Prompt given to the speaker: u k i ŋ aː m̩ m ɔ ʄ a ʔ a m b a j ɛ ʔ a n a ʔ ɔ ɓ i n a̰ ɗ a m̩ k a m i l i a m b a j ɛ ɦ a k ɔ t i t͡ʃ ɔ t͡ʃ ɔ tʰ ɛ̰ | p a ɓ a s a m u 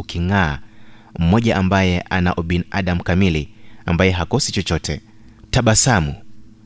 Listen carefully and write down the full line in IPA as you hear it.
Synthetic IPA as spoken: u k i ŋ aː m̩ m ɔ ʄ a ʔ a m b a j ɛ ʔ a n a ʔ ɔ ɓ i n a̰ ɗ a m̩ k a m i l i a m b a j ɛ ɦ a k ɔ s i t͡ʃ ɔ t͡ʃ ɔ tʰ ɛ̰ | t a ɓ a s a m u